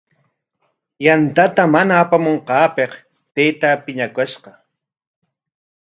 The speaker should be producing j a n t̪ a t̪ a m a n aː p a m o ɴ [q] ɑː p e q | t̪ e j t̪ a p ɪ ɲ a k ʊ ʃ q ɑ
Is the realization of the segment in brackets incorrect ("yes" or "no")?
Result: no